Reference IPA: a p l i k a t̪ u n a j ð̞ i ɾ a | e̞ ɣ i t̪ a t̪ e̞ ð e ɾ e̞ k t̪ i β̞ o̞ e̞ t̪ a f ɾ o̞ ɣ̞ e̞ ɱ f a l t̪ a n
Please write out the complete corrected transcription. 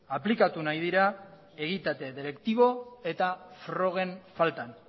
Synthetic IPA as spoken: a p l i k a t̪ u n a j ð̞ i ɾ a | e̞ ɣ i t̪ a t̪ e̞ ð e ɾ e̞ k t̪ i β̞ o̞ e̞ t̪ a f ɾ o̞ ɣ̞ e̞ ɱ f a l t̪ a n

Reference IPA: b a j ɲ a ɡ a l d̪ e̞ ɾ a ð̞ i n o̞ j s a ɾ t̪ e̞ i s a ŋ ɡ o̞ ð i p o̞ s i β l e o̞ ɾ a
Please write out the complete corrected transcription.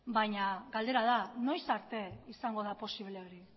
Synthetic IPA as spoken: b a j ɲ a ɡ a l d̪ e̞ ɾ a ð̞ a n o̞ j s a ɾ t̪ e̞ i s a ŋ ɡ o̞ ð a p o̞ s i β l e o̞ ɾ i

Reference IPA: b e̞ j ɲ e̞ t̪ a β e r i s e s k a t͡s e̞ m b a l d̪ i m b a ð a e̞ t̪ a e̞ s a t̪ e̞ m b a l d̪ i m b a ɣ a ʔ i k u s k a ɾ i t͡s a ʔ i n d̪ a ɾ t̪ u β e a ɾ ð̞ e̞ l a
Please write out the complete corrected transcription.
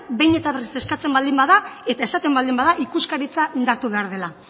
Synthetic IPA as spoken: b e̞ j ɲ e̞ t̪ a β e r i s e s k a t͡s e̞ m b a l d̪ i m b a ð a e̞ t̪ a e̞ s a t̪ e̞ m b a l d̪ i m b a ð a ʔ i k u s k a ɾ i t͡s a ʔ i n d̪ a ɾ t̪ u β e a ɾ ð̞ e̞ l a

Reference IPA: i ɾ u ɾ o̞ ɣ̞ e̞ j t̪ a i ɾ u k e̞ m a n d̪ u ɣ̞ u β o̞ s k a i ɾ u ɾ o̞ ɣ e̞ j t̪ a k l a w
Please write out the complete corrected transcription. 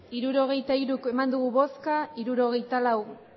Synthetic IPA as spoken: i ɾ u ɾ o̞ ɣ̞ e̞ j t̪ a i ɾ u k e̞ m a n d̪ u ɣ̞ u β o̞ s k a i ɾ u ɾ o̞ ɣ e̞ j t̪ a l a w

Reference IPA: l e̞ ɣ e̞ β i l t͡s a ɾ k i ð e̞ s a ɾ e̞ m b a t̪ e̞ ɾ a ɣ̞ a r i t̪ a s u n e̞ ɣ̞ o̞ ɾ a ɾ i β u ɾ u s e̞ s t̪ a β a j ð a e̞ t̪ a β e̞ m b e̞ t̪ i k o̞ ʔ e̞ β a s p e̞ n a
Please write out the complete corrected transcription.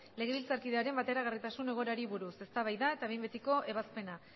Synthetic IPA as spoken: l e̞ ɣ e̞ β i l t͡s a ɾ k i ð e̞ a ɾ e̞ m b a t̪ e̞ ɾ a ɣ̞ a r i t̪ a s u n e̞ ɣ̞ o̞ ɾ a ɾ i β u ɾ u s e̞ s t̪ a β a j ð a e̞ t̪ a β e̞ m b e̞ t̪ i k o̞ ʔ e̞ β a s p e̞ n a

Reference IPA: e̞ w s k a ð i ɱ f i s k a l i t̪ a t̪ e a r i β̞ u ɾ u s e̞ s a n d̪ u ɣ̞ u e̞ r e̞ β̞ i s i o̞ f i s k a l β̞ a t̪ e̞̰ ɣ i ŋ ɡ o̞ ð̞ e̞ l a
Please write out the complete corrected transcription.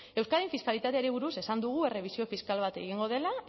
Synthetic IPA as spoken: e̞ w s k a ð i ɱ f i s k a l i t̪ a t̪ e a ɾ i β̞ u ɾ u s e̞ s a n d̪ u ɣ̞ u e̞ r e̞ β̞ i s i o̞ f i s k a l β̞ a t̪ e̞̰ ɣ i ŋ ɡ o̞ ð̞ e̞ l a

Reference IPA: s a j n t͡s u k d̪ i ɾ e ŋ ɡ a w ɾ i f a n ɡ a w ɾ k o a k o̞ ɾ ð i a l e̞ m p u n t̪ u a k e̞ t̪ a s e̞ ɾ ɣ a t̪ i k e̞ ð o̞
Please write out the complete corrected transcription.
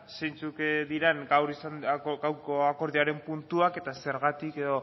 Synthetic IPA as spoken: s e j n t͡s u k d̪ i ɾ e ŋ ɡ a w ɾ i s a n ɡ a w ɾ k o a k o̞ ɾ ð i a ɾ e̞ m p u n t̪ u a k e̞ t̪ a s e̞ ɾ ɣ a t̪ i k e̞ ð o̞

